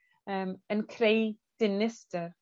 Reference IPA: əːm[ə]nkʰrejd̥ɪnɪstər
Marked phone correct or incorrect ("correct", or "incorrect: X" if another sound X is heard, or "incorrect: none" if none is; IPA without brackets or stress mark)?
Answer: correct